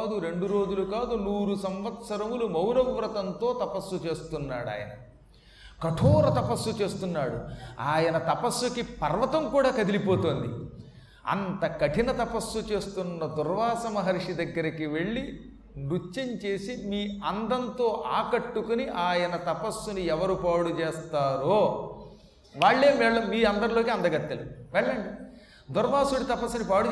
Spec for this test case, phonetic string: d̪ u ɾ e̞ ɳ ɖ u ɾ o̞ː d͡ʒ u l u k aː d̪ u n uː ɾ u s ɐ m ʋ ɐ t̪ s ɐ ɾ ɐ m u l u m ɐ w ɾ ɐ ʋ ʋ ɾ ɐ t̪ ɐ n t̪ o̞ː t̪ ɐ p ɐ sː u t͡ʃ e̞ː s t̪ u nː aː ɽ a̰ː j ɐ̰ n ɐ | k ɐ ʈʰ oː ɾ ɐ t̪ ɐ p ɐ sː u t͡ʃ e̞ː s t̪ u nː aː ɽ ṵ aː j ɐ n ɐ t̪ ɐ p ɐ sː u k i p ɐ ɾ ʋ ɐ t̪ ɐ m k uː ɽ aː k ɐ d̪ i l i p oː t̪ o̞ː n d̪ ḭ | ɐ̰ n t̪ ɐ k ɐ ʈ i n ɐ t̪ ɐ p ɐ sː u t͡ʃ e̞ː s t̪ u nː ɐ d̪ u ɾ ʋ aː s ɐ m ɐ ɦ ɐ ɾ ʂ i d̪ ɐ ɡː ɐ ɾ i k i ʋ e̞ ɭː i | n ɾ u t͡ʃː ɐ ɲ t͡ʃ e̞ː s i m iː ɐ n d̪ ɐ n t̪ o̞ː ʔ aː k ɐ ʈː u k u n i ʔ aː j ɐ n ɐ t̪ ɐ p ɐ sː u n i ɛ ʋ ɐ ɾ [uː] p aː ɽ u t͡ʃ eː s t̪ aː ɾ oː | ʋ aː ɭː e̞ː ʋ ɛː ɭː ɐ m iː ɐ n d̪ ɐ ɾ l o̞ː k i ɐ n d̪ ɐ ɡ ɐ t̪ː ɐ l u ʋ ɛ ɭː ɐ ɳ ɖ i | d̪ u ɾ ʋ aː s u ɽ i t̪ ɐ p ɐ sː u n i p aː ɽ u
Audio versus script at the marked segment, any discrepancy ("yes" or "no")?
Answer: yes